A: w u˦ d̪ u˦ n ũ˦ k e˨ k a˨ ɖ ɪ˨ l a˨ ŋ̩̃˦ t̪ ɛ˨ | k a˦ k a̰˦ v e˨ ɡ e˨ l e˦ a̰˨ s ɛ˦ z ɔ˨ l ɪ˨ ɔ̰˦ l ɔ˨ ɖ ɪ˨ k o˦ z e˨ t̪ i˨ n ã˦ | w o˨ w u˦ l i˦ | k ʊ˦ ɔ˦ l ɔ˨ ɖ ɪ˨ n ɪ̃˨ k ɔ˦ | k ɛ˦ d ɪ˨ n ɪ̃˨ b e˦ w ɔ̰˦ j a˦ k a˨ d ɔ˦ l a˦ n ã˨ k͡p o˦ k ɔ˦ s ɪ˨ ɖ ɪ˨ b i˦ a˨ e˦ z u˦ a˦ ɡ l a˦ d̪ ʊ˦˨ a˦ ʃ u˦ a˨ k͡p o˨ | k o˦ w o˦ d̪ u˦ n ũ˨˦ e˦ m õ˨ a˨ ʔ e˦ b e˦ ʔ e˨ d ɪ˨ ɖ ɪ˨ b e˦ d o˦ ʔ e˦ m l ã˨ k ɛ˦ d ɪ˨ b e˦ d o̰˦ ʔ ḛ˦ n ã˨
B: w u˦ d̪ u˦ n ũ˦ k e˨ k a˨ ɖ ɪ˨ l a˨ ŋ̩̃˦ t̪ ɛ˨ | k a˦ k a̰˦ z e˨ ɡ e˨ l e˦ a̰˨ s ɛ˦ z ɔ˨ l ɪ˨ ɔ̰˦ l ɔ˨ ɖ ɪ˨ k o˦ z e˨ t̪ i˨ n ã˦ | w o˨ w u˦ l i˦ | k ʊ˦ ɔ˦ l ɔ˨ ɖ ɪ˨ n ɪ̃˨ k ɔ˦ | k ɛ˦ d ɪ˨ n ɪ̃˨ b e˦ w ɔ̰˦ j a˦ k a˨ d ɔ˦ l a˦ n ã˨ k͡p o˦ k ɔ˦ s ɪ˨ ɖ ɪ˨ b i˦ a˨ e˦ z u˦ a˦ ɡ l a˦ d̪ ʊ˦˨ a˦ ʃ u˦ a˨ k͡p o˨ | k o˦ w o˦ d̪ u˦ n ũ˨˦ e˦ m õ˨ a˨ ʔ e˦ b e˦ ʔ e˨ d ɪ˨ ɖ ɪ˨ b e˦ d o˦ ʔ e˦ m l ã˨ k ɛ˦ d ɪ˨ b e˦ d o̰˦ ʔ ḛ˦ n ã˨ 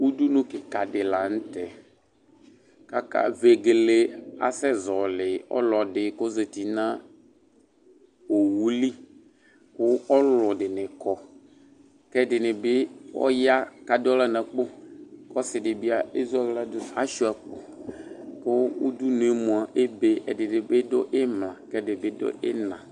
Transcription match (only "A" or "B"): A